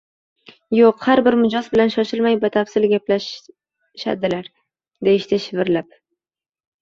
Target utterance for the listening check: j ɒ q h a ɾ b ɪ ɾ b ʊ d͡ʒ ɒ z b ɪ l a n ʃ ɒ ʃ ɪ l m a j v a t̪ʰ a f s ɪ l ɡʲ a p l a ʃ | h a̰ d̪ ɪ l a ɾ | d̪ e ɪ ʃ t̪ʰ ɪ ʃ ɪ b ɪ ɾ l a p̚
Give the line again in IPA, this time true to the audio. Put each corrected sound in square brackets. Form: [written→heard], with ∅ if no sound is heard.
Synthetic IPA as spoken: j [ɒ→o] q h a ɾ b ɪ ɾ [b→m] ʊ d͡ʒ ɒ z b ɪ l a n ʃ ɒ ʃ ɪ l m a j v a t̪ʰ a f s ɪ l ɡʲ a p l a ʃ | [h→ʃ] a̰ d̪ ɪ l a ɾ | d̪ e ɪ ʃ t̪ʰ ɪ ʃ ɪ [b→v] ɪ ɾ l a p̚

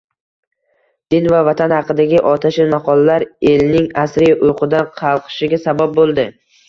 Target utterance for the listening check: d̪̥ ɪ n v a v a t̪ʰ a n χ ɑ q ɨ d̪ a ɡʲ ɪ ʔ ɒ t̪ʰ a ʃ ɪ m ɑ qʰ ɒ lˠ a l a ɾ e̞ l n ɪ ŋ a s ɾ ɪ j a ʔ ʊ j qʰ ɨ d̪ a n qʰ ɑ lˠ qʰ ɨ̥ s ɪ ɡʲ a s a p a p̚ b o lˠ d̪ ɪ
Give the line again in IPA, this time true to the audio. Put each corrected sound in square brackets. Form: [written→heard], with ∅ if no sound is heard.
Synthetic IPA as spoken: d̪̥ ɪ n v a v a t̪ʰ a n [χ→h] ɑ q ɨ d̪ a ɡʲ ɪ ʔ ɒ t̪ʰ a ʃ ɪ m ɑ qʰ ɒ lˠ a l a ɾ e̞ l n ɪ ŋ a s ɾ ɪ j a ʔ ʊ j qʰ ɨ d̪ a n qʰ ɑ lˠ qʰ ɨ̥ [s→ʃ] ɪ ɡʲ a s a [p→b] a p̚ b o lˠ d̪ ɪ

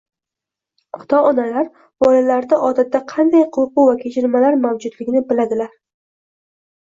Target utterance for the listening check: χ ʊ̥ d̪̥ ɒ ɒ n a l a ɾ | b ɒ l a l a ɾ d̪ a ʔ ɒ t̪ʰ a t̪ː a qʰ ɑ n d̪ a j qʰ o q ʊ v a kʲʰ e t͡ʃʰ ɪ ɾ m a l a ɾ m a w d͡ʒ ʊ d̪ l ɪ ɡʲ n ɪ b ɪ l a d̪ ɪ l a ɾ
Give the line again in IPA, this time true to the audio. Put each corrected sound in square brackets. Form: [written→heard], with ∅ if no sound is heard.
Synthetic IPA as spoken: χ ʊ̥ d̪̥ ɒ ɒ n a l a ɾ | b ɒ l a l a ɾ d̪ a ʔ ɒ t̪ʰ a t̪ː a qʰ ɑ n d̪ a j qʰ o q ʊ v a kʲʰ e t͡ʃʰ ɪ ɾ m a l a ɾ m a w d͡ʒ ʊ d̪ l ɪ ɡʲ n ɪ b ɪ l a d̪ ɪ l a ɾ

